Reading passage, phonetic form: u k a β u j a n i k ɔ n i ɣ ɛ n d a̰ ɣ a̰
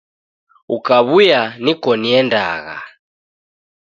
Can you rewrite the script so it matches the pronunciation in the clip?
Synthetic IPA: u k a β u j a n i k ɔ n i ɛ n d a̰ ɣ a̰